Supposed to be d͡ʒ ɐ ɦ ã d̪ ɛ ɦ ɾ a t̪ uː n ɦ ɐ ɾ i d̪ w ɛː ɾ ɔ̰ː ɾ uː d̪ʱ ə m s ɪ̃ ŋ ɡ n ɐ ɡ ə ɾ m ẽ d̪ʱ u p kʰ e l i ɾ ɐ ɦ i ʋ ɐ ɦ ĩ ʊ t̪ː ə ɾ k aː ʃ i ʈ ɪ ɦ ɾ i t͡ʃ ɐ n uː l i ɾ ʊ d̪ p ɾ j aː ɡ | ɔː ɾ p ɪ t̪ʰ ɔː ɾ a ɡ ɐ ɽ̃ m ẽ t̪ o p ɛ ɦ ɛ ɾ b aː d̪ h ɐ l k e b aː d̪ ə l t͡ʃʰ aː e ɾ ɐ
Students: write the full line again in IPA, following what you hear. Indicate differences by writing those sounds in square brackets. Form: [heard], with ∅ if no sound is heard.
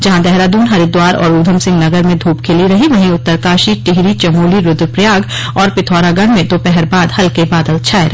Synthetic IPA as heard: d͡ʒ ɐ ɦ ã d̪ ɛ ɦ ɾ a [d̪] uː n ɦ ɐ ɾ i d̪ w [aː] ɾ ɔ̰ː ɾ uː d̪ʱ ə m s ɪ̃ ŋ ɡ n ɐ ɡ ə ɾ m ẽ d̪ʱ [uː] p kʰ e l i ɾ ɐ ɦ i ʋ ɐ ɦ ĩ ʊ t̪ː ə ɾ k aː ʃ i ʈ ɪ ɦ ɾ i t͡ʃ ɐ [m] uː l i ɾ ʊ d̪ p ɾ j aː ɡ | ɔː ɾ p ɪ t̪ʰ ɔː ɾ a ɡ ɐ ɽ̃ m ẽ t̪ o p ɛ ɦ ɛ ɾ b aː d̪ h ɐ l k e b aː d̪ ə l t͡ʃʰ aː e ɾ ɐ